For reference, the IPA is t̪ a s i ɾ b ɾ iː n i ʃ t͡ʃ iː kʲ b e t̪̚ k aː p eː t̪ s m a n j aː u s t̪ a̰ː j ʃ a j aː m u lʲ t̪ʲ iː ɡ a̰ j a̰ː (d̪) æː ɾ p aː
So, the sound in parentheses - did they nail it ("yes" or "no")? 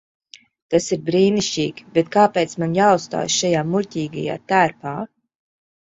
no